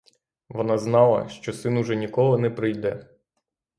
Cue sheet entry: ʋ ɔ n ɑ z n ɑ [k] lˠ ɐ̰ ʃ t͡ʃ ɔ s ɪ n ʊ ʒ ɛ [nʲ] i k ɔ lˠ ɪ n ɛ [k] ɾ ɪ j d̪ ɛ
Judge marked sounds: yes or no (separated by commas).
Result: no, yes, no